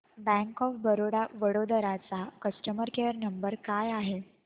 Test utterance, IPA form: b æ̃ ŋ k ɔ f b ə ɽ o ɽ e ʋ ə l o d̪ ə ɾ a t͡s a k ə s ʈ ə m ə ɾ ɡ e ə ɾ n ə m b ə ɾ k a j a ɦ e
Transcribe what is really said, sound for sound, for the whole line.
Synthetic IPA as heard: b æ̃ ŋ k ɔ f b ə ɾ o ɽ a ʋ ə ɽ o d̪ ə ɾ a t͡s a k ə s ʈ ə m ə ɾ k e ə ɾ n ə m b ə ɾ k a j a ɦ e